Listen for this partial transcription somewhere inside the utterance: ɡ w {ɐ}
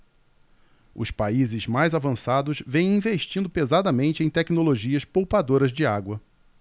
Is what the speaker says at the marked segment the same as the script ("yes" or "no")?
yes